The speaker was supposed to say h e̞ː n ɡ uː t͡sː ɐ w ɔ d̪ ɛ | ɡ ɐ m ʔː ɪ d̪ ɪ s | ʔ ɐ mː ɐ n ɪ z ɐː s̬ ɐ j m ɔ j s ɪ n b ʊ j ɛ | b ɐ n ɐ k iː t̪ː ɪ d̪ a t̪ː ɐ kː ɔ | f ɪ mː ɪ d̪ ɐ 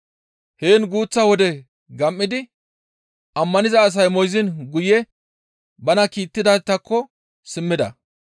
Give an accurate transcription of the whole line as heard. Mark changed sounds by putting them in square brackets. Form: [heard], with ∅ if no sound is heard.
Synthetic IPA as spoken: h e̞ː n ɡ uː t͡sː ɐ w ɔ d̪ ɛ | ɡ ɐ m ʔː ɪ d̪ ɪ [∅] | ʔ ɐ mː ɐ n ɪ z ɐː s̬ ɐ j m ɔ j [z] ɪ n [ɡ] ʊ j ɛ | b ɐ n ɐ k iː t̪ː ɪ d̪ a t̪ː ɐ kː ɔ | [s] ɪ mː ɪ d̪ ɐ

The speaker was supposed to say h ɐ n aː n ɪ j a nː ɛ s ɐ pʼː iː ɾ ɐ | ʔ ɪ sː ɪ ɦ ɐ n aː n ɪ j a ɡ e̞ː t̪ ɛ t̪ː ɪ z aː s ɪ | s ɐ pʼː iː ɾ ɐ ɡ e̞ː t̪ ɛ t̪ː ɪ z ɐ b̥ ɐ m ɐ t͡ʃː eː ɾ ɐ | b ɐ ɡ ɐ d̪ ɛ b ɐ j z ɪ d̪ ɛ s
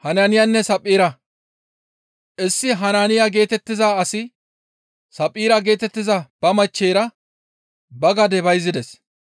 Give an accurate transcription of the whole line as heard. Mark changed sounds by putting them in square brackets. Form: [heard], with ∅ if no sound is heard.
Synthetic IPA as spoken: h ɐ n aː n ɪ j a nː ɛ s ɐ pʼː iː ɾ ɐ | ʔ ɪ sː ɪ ɦ ɐ n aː n ɪ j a ɡ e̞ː t̪ ɛ t̪ː ɪ z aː s ɪ | s ɐ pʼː iː ɾ ɐ ɡ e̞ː t̪ ɛ t̪ː ɪ z ɐ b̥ ɐ m ɐ t͡ʃː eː ɾ ɐ | b ɐ ɡ ɐ d̪ ɛ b ɐ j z ɪ d̪ ɛ s

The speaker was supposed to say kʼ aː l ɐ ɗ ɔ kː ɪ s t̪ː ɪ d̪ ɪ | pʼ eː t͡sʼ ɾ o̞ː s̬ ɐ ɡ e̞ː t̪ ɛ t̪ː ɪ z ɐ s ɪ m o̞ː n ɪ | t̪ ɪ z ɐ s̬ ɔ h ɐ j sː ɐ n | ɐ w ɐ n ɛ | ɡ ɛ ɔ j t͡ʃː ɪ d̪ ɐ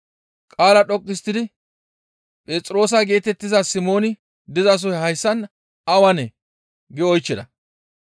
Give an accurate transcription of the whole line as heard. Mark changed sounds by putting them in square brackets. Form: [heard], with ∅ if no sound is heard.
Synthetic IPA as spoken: kʼ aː l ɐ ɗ ɔ [kʼː] ɪ s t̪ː ɪ d̪ ɪ | pʼ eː t͡sʼ ɾ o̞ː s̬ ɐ ɡ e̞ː t̪ ɛ t̪ː ɪ z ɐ s ɪ m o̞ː n ɪ | [d̪] ɪ z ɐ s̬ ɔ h ɐ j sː ɐ n | ɐ w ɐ n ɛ | ɡ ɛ ɔ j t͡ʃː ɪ d̪ ɐ

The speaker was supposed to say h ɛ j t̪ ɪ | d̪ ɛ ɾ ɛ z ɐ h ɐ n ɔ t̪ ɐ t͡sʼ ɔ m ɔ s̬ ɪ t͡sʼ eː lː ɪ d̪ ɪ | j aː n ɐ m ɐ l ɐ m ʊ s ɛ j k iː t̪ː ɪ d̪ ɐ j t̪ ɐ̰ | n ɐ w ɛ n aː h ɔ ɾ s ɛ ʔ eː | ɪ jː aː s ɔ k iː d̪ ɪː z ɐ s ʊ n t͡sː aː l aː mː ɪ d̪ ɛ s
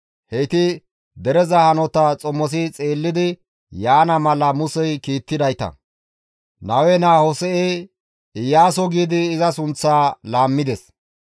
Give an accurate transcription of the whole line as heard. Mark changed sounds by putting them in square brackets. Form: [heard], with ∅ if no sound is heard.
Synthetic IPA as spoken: h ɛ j t̪ ɪ | d̪ ɛ ɾ ɛ z ɐ h ɐ n ɔ t̪ ɐ t͡sʼ ɔ m ɔ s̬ ɪ t͡sʼ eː lː ɪ d̪ ɪ | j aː n ɐ m ɐ l ɐ m ʊ s ɛ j k iː t̪ː ɪ d̪ ɐ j t̪ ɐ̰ | n ɐ w ɛ n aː h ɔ [∅] s ɛ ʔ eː | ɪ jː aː s ɔ [ɡ] iː d̪ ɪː z ɐ s ʊ n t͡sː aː l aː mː ɪ d̪ ɛ s

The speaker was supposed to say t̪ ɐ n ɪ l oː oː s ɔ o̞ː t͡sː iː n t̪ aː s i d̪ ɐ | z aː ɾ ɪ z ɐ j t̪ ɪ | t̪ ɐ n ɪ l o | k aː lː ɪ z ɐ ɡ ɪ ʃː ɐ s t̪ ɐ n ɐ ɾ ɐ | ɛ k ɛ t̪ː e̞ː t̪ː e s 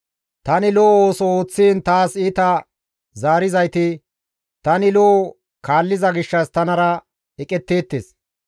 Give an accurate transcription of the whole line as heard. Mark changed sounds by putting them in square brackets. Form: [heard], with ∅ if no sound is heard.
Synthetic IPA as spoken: t̪ ɐ n ɪ l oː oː s ɔ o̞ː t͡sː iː n t̪ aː s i [t̪] ɐ | z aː ɾ ɪ z ɐ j t̪ ɪ | t̪ ɐ n ɪ l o | k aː lː ɪ z ɐ ɡ ɪ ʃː ɐ s t̪ ɐ n ɐ ɾ ɐ | ɛ [kʼ] ɛ t̪ː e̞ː t̪ː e s

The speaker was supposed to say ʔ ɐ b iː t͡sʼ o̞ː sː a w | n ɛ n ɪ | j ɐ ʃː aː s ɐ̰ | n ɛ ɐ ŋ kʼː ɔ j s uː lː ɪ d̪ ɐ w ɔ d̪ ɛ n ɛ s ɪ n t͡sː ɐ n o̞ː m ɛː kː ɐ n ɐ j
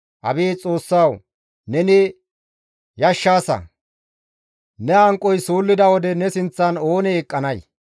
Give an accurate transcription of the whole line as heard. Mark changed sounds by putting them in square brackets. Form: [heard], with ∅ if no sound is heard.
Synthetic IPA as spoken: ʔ ɐ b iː t͡sʼ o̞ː sː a w | n ɛ n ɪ | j ɐ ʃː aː s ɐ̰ | n ɛ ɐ ŋ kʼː ɔ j s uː lː ɪ d̪ ɐ w ɔ d̪ ɛ n ɛ s ɪ n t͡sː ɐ n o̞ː [n] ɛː [kʼː] ɐ n ɐ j

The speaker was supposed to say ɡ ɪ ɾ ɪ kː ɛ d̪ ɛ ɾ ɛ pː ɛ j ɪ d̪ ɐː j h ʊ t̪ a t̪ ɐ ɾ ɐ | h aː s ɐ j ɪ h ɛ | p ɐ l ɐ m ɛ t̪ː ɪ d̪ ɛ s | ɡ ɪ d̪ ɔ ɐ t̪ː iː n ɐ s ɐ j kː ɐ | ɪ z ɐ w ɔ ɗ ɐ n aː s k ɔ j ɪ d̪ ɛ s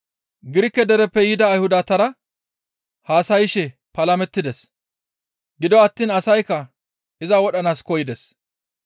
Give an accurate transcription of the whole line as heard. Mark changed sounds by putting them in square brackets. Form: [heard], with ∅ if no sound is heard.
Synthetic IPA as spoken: ɡ ɪ ɾ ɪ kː ɛ d̪ ɛ ɾ ɛ pː ɛ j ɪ d̪ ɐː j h ʊ [d̪] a t̪ ɐ ɾ ɐ | h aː s ɐ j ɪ [ʃ] ɛ | p ɐ l ɐ m ɛ t̪ː ɪ d̪ ɛ s | ɡ ɪ d̪ ɔ ɐ t̪ː iː n ɐ s ɐ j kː ɐ | ɪ z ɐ w ɔ ɗ ɐ n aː s k ɔ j ɪ d̪ ɛ s

